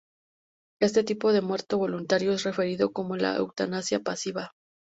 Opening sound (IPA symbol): e̞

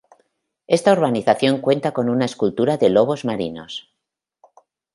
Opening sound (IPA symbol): e̞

